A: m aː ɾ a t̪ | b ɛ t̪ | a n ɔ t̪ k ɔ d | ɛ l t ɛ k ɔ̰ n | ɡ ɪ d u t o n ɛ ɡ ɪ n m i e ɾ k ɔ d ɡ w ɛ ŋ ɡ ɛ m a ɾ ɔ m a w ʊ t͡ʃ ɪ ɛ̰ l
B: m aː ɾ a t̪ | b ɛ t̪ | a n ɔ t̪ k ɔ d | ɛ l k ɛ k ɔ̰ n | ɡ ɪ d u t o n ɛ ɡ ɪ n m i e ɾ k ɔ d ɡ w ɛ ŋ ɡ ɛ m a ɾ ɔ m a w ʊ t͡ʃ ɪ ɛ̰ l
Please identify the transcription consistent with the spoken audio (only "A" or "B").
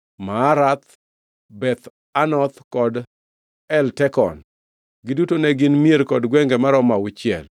A